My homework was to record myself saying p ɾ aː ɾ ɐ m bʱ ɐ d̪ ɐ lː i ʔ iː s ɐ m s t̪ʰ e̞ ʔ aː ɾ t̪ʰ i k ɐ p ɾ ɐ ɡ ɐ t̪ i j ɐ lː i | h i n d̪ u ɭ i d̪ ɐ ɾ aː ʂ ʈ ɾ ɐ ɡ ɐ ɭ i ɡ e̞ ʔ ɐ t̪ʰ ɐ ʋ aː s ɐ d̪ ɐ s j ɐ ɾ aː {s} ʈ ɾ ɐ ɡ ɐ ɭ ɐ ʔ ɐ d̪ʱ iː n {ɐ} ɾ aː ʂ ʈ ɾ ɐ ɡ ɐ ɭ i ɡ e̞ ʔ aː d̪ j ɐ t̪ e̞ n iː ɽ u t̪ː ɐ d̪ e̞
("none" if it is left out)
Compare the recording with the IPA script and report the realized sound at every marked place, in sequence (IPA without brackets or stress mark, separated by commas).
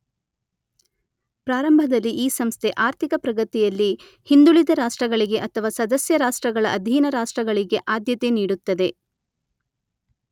ʂ, ɐ